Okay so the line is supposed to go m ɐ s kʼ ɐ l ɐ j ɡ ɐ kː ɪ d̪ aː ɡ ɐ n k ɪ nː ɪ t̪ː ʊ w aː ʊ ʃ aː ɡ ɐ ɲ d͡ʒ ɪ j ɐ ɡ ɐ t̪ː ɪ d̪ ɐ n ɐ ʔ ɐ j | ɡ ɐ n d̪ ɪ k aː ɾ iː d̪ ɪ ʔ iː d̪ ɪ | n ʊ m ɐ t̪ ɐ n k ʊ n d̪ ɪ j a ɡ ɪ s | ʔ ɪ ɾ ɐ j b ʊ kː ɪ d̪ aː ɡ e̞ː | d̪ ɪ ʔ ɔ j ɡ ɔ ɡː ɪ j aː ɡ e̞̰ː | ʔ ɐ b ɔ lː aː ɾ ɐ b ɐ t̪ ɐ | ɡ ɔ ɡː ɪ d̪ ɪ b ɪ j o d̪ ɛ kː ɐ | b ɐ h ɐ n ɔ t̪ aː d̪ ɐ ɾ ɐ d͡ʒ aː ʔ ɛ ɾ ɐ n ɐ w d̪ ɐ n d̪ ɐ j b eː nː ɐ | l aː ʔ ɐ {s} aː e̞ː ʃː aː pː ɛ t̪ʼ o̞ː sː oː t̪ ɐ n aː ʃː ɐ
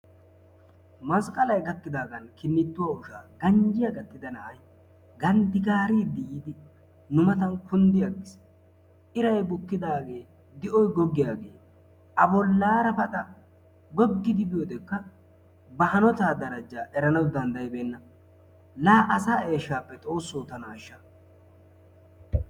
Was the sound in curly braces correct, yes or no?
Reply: yes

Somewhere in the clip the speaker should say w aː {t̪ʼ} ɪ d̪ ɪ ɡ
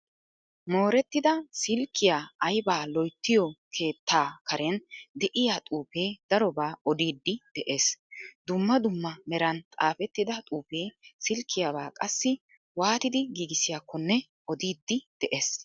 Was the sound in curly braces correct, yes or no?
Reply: no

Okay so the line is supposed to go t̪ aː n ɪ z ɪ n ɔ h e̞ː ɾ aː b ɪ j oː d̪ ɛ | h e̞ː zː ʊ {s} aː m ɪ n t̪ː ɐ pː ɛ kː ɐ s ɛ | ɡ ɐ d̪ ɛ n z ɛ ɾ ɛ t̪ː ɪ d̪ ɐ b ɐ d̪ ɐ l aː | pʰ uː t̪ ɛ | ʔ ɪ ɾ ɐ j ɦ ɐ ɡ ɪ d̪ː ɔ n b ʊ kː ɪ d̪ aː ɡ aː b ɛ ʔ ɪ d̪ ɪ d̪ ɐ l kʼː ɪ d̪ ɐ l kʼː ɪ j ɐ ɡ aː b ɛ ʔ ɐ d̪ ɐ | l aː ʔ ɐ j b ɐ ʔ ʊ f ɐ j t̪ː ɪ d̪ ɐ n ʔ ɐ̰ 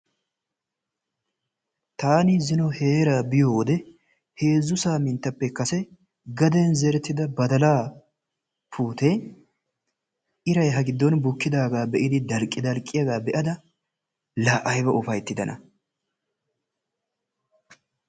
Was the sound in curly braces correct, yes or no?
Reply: yes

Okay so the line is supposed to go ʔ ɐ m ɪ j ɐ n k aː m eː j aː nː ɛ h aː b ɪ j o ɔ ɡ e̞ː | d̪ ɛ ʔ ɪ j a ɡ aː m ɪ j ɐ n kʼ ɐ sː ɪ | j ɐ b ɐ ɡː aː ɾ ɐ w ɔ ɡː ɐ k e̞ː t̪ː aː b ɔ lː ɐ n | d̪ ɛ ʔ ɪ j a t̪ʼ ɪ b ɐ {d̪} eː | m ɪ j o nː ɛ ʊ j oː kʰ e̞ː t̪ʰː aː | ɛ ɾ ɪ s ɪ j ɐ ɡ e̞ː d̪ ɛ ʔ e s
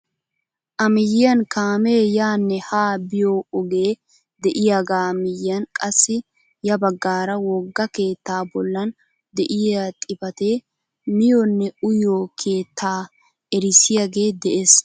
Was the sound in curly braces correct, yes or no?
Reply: no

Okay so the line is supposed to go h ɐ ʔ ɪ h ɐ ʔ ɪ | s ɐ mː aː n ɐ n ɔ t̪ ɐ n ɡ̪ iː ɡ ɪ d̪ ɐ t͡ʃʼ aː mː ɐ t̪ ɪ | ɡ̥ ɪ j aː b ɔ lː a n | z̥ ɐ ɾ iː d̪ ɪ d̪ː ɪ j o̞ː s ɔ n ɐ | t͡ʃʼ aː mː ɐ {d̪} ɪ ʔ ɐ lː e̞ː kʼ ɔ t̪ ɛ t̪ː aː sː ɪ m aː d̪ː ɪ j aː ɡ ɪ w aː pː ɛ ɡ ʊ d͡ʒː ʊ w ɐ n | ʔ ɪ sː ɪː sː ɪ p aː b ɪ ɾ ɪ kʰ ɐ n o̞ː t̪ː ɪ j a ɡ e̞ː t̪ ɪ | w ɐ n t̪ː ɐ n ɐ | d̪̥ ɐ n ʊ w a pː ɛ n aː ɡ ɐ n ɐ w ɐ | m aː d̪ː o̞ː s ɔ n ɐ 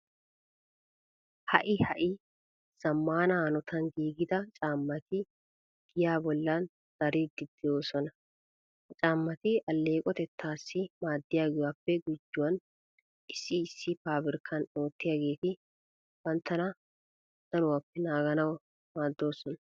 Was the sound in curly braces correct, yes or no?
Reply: no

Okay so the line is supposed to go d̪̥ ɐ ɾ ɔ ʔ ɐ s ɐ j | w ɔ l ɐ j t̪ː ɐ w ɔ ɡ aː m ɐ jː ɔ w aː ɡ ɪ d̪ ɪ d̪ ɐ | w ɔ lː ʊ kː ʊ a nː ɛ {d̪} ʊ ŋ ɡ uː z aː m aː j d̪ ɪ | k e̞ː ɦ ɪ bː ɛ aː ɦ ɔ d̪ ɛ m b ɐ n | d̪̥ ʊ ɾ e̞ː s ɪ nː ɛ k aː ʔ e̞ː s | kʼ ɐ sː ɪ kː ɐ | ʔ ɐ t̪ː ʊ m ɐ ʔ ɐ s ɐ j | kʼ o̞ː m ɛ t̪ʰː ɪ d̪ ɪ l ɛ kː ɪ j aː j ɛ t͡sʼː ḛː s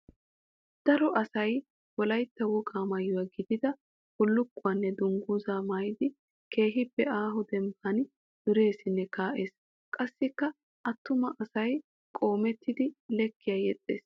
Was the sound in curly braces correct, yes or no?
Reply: yes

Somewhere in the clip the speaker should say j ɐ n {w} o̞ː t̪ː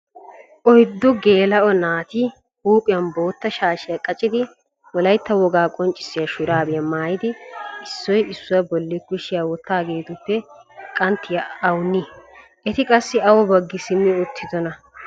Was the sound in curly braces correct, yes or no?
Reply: no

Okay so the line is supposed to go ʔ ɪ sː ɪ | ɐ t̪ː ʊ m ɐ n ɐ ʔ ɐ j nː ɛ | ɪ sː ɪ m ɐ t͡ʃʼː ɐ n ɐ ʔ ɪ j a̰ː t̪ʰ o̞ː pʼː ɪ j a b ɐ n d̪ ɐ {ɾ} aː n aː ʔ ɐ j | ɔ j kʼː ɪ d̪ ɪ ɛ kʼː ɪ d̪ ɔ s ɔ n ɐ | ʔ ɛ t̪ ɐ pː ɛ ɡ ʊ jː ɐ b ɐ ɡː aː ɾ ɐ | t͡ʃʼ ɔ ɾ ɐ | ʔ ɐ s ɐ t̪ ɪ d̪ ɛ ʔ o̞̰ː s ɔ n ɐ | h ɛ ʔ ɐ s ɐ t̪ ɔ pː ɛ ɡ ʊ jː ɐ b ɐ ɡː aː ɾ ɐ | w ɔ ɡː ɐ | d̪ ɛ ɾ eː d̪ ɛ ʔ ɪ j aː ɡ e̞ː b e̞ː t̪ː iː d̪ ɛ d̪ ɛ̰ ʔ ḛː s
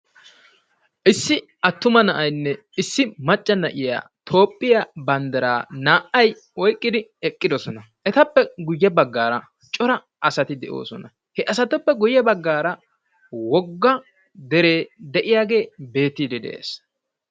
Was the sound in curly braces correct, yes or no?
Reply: yes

